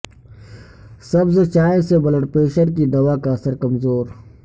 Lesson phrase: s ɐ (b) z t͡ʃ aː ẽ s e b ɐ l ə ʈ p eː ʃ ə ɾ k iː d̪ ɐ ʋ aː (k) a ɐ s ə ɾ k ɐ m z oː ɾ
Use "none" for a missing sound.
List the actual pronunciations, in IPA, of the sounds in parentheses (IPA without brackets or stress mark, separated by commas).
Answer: b, k